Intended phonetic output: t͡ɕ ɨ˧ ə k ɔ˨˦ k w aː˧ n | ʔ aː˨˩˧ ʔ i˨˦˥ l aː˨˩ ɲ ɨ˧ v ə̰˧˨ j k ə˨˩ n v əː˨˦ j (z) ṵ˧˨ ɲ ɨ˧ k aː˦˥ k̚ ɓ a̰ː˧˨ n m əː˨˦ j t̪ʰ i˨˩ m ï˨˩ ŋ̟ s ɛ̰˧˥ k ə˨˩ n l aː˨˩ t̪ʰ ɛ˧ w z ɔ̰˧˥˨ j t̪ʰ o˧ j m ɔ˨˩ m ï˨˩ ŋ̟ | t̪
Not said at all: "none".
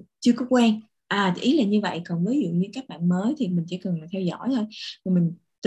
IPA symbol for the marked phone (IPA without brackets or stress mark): z